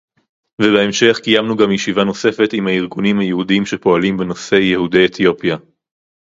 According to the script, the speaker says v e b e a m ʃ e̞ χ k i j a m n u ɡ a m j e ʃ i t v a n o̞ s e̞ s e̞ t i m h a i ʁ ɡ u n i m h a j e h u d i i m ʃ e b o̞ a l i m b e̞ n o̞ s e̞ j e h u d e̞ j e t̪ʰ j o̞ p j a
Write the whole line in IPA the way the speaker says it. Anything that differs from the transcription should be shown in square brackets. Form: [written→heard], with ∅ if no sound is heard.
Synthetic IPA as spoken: v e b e [a→e] m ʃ e̞ χ k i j a m n u ɡ a m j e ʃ i [t→∅] v a n o̞ s e̞ [s→f] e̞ t i m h a i ʁ ɡ u n i m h a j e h u d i i m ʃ e [b→p] o̞ a l i m b e̞ n o̞ s e̞ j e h u d e̞ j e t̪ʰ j o̞ p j a